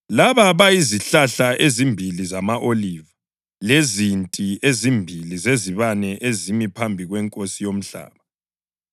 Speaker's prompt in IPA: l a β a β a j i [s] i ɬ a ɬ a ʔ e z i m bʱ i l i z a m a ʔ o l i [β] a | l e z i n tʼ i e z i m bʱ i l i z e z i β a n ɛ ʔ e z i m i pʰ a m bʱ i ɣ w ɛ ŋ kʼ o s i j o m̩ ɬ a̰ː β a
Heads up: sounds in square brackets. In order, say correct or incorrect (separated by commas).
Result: incorrect, incorrect